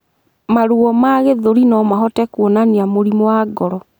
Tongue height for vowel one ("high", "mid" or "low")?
low